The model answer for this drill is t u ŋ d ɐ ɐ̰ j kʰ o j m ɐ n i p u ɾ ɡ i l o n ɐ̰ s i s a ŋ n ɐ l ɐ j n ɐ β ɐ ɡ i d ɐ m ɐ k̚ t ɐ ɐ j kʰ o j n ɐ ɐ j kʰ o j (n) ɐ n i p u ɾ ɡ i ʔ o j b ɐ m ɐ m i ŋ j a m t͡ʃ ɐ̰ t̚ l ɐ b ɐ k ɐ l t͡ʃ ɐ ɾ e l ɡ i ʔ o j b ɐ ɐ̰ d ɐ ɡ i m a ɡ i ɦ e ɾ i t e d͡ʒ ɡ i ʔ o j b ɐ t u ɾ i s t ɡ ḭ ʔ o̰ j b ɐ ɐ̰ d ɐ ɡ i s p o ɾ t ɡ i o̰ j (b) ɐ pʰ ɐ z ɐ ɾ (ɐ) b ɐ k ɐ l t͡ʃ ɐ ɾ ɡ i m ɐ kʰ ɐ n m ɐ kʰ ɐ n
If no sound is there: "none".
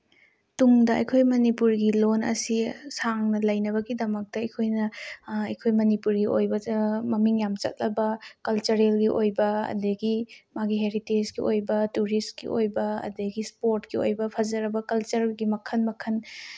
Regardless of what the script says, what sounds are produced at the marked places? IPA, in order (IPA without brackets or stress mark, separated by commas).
m, b, ɐ